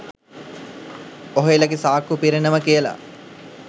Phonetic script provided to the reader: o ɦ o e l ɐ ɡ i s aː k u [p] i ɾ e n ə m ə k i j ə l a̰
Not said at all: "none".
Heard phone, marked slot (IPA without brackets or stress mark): p